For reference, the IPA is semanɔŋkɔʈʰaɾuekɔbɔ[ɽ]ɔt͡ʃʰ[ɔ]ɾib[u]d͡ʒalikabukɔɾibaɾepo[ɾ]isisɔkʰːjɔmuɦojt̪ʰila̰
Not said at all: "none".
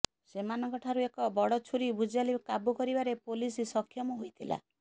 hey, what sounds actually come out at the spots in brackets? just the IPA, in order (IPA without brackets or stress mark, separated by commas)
ɽ, u, u, l